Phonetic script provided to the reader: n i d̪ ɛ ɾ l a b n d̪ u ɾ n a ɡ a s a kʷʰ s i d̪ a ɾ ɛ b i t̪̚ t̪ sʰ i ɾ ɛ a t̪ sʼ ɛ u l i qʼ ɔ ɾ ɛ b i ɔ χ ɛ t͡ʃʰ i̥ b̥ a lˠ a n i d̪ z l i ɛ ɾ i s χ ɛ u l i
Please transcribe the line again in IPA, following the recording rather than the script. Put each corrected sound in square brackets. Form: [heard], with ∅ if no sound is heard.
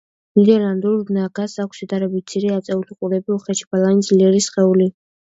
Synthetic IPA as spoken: n i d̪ ɛ ɾ l a [∅] n d̪ u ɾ n a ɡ a s a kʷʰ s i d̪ a ɾ ɛ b i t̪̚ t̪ sʰ i ɾ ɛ a t̪ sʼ ɛ u l i qʼ [u] ɾ ɛ b i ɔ χ ɛ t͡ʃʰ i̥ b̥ a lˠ a n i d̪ z l i ɛ ɾ i s χ ɛ u l i